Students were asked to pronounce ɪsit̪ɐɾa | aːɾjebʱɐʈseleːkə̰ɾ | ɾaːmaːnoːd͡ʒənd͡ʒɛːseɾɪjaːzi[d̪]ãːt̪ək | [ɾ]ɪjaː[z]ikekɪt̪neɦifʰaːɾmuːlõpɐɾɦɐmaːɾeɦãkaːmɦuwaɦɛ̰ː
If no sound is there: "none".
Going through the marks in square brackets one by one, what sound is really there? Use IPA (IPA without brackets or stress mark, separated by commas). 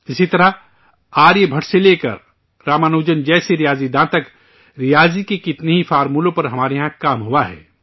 d̪, ɾ, z